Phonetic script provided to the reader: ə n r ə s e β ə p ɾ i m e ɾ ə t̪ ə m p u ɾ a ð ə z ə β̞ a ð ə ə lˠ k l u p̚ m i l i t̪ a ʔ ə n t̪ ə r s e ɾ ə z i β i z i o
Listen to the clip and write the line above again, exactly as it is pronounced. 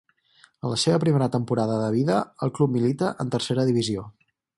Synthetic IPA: ə n l ə s e β ə p ɾ i m e ɾ ə t̪ ə m p u ɾ a ð ə ð ə β̞ i ð ə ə lˠ k l u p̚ m i l i t̪ ə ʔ ə n t̪ ə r s e ɾ ə ð i β i z i o